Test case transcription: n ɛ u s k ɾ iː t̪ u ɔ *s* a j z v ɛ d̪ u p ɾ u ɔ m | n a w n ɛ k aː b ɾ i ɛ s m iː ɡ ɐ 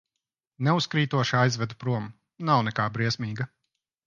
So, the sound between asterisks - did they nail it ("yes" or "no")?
no